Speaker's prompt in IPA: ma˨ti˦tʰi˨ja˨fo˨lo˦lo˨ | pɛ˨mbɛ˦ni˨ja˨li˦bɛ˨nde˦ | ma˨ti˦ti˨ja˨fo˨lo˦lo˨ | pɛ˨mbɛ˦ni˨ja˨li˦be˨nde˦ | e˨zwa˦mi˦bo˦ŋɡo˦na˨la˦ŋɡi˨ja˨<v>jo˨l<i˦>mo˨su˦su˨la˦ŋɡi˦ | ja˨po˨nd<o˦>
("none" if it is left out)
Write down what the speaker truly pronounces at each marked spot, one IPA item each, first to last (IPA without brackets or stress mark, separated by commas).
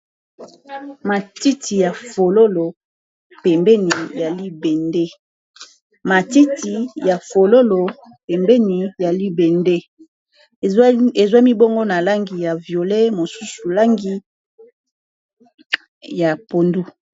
v, e˦, u˦